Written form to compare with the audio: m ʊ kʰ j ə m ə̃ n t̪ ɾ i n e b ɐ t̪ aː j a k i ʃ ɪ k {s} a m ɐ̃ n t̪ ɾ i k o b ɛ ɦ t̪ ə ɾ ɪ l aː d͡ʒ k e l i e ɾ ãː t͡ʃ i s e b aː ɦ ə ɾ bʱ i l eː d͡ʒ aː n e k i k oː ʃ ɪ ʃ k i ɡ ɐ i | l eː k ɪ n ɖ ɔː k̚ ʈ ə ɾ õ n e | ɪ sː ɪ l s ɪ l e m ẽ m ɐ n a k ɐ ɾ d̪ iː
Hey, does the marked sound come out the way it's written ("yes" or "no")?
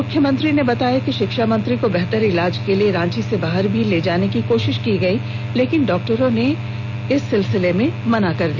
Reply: no